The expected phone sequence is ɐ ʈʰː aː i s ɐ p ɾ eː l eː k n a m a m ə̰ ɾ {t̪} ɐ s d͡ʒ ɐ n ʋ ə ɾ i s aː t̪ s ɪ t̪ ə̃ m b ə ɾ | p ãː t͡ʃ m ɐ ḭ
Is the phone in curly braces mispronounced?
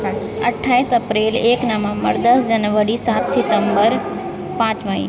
yes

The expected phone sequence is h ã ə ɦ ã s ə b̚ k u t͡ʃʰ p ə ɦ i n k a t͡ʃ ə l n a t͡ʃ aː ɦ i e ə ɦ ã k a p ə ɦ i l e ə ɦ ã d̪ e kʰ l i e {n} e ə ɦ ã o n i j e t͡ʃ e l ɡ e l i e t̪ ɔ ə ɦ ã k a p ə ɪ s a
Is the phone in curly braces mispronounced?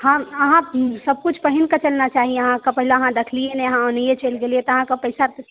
no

